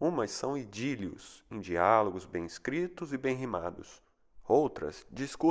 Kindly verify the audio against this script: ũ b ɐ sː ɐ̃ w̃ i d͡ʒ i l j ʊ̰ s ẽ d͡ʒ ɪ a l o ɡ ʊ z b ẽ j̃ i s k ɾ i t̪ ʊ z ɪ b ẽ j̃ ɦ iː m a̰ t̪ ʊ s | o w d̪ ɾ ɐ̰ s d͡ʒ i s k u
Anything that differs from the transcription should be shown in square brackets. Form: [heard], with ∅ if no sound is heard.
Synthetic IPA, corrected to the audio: ũ [m] ɐ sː ɐ̃ w̃ i d͡ʒ i l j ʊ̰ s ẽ d͡ʒ [i] a l o ɡ ʊ z b ẽ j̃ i s k ɾ i t̪ ʊ z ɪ b ẽ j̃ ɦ [i] m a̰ [d̪] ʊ s | o w [t̪] ɾ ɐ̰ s d͡ʒ i s k u